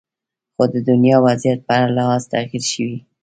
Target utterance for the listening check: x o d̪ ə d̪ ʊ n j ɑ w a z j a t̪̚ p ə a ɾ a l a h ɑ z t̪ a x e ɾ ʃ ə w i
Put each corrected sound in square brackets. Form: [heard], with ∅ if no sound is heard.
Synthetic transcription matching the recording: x o d̪ ə d̪ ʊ n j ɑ w a z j a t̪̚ p ə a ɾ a l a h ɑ z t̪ a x [i] ɾ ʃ ə w i